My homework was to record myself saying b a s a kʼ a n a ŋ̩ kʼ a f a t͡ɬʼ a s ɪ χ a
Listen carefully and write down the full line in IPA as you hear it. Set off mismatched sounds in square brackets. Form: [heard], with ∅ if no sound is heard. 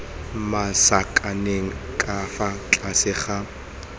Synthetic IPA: [m] a s a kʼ a n [e] ŋ̩ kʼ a f a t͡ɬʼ a s ɪ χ a

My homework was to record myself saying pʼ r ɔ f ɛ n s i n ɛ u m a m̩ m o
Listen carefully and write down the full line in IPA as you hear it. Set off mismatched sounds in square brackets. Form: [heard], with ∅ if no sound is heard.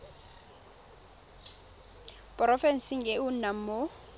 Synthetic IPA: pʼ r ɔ f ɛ n s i [ŋ] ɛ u [n] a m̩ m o

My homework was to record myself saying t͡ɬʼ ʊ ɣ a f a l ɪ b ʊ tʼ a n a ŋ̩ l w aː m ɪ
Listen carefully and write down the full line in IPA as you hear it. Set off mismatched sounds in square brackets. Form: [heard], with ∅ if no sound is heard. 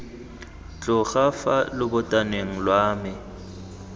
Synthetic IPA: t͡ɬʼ ʊ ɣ a f a l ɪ b ʊ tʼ a n [e] ŋ̩ l w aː m ɪ

